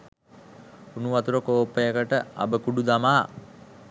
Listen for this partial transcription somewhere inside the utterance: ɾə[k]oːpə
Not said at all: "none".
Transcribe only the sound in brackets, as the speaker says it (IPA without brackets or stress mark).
k